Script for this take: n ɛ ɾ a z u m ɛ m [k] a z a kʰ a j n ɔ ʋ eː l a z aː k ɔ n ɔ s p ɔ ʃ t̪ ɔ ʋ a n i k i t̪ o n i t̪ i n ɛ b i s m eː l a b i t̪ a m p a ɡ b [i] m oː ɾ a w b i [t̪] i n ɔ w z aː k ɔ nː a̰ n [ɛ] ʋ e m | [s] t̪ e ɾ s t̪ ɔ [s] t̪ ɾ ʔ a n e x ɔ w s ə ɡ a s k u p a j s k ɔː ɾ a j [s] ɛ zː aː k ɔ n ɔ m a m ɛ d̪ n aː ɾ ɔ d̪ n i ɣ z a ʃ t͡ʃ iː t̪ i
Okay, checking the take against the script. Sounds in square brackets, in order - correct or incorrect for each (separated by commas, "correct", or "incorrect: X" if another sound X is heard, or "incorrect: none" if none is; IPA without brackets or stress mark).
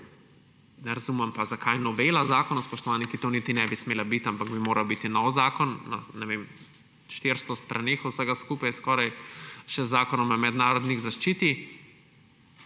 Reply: incorrect: p, correct, correct, correct, incorrect: ʃ, correct, incorrect: ʃ